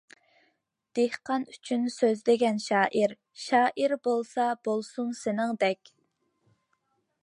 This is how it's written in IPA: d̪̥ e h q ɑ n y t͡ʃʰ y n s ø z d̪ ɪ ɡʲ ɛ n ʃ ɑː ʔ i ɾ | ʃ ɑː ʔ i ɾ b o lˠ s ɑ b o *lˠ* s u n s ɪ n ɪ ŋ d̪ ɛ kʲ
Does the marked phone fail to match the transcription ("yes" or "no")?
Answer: no